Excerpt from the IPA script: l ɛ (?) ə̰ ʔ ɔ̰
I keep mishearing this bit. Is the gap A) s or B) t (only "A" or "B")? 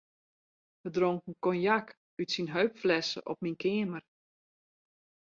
A